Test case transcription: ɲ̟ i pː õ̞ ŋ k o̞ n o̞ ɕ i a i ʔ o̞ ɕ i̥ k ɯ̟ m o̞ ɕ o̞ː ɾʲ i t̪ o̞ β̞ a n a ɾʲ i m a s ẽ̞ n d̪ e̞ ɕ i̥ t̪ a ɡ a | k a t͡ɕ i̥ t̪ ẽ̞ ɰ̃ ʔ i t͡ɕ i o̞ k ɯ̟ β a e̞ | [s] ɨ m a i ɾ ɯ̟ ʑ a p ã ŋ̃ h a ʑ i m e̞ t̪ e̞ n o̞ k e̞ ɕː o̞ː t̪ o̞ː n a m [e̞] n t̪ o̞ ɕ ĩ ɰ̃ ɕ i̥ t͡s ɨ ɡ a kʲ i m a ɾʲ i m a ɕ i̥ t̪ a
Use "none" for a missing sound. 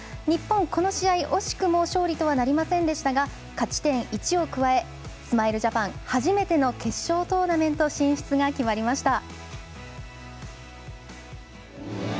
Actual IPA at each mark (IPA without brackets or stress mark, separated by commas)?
s, ẽ̞